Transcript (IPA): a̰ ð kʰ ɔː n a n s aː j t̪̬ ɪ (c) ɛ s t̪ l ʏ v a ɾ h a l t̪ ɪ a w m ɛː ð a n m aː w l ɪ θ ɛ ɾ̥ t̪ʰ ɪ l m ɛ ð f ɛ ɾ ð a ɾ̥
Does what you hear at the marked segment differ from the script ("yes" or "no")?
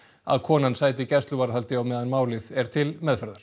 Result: no